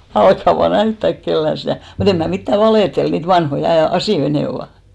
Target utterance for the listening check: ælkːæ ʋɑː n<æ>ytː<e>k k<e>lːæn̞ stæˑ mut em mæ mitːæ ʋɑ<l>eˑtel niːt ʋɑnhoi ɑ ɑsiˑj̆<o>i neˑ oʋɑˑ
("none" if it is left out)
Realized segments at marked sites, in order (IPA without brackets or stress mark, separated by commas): æ, æ, e, l, o